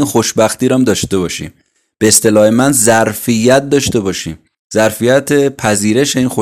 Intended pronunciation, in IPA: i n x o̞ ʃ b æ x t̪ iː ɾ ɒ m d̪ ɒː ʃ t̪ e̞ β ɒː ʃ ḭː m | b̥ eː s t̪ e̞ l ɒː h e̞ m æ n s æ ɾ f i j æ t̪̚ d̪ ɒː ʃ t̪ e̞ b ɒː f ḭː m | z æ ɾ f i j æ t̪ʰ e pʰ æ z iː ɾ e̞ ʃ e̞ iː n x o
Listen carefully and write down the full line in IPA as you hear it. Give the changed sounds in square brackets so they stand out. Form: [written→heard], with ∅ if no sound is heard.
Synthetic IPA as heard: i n x o̞ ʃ b æ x t̪ iː ɾ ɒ m d̪ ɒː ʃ t̪ e̞ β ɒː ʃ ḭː m | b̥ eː s t̪ e̞ l ɒː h e̞ m æ n [s→z] æ ɾ f i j æ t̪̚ d̪ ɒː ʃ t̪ e̞ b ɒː [f→ʃ] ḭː m | z æ ɾ f i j æ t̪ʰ e pʰ æ z iː ɾ e̞ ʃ e̞ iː n x o